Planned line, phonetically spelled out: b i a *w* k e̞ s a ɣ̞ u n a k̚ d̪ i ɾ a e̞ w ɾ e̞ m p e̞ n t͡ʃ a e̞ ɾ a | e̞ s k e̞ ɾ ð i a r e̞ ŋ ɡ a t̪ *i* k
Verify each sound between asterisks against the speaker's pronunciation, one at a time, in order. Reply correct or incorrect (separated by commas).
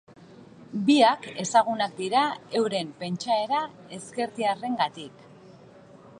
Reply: incorrect, correct